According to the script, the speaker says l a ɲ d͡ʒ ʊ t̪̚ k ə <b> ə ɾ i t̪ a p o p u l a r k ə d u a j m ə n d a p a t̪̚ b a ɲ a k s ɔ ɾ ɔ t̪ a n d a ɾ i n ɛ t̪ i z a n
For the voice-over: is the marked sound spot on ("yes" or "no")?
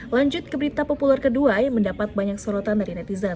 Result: yes